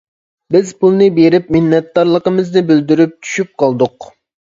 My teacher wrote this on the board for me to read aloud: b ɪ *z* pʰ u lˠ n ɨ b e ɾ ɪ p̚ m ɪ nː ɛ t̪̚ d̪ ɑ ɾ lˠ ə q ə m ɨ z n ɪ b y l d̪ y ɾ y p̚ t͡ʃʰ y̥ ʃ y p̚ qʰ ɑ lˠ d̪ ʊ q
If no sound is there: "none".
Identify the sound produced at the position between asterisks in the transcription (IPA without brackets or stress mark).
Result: z